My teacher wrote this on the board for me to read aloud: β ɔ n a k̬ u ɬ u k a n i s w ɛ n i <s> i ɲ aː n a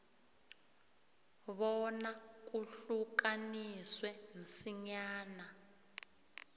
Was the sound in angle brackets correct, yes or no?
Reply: yes